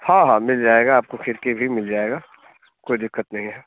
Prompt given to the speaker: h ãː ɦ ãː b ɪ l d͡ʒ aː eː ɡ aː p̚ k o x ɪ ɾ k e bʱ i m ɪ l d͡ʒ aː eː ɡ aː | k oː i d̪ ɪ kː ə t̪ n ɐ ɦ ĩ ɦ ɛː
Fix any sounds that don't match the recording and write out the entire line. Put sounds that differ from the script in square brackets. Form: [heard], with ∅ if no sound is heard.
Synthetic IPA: h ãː ɦ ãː [m] ɪ l d͡ʒ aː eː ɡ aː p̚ k o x ɪ ɾ k e bʱ i m ɪ l d͡ʒ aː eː ɡ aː | k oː i d̪ ɪ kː ə t̪ n ɐ ɦ ĩ ɦ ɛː